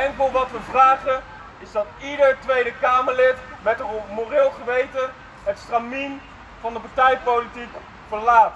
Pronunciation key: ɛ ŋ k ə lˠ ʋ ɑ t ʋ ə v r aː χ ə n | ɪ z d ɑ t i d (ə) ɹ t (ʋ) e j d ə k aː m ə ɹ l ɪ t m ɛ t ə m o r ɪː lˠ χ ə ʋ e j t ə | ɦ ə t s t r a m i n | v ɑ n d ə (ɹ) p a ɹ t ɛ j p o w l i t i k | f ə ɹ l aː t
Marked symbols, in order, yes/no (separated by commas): yes, yes, no